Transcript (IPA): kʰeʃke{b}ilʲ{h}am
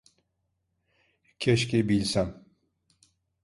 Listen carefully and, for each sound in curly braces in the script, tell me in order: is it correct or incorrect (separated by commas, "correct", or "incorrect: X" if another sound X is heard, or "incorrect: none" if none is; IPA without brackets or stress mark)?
correct, incorrect: s